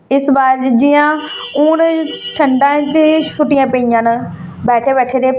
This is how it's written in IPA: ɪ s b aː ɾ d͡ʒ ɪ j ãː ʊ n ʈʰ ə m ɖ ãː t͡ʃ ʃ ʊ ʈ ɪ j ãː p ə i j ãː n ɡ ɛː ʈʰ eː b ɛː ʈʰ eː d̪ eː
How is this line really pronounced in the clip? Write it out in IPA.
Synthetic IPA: ɪ s b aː ɾ d͡ʒ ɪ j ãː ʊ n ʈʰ ə ɳ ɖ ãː t͡ʃ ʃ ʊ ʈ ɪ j ãː p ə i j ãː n b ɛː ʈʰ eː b ɛː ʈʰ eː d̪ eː